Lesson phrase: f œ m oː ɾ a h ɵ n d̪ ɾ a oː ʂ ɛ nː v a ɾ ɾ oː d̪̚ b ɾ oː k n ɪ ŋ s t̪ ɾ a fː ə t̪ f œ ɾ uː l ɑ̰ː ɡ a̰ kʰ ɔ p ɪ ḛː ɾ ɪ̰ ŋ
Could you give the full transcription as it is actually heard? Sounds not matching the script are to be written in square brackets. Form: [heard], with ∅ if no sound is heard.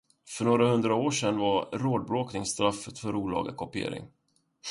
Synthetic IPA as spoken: f œ [ɳ] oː ɾ a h ɵ n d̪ ɾ a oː ʂ ɛ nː v a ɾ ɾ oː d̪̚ b ɾ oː k n ɪ ŋ s t̪ ɾ a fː ə t̪ f œ ɾ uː l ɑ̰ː ɡ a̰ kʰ ɔ p ɪ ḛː ɾ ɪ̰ ŋ